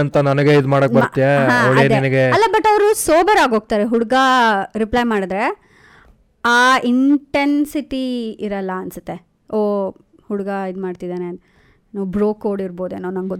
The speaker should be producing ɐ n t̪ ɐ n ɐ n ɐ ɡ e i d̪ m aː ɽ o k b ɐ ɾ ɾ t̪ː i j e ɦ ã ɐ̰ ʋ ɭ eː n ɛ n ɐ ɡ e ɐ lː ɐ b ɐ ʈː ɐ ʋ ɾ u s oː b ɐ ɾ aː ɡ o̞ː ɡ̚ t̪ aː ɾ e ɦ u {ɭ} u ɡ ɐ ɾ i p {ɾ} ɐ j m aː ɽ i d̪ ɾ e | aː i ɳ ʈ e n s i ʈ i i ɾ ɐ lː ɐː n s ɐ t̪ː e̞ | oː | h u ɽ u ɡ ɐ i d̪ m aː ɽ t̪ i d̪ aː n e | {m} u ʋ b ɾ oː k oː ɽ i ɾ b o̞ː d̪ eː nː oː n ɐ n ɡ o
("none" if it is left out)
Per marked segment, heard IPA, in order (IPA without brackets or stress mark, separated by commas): ɽ, l, n